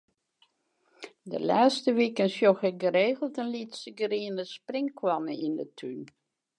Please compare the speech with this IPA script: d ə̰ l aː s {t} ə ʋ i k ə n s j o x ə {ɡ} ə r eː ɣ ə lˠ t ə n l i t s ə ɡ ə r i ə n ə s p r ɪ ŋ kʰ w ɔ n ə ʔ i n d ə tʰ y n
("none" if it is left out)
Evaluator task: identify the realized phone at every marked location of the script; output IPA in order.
t, ɡ

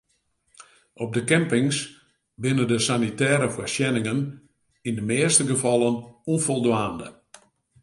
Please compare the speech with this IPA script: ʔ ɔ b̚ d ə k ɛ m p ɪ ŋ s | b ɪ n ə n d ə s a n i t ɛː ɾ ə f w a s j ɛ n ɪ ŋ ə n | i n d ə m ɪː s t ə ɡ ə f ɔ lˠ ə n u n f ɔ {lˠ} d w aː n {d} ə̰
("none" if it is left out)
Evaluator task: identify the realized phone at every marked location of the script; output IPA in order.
lˠ, d

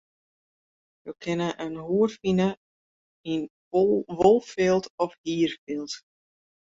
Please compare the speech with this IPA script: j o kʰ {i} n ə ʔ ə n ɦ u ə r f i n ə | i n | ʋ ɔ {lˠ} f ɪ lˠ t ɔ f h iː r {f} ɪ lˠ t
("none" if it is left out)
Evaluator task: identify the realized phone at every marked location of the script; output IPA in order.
ɪ, lˠ, f

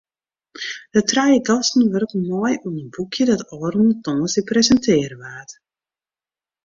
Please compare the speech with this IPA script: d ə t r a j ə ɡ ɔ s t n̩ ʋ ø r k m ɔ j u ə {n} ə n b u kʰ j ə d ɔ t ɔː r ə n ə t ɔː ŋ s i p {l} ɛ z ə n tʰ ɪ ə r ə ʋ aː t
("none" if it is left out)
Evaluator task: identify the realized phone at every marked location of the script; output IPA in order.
n, r

